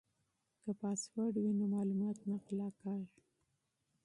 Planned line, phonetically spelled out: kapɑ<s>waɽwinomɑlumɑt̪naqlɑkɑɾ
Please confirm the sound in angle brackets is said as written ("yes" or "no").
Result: yes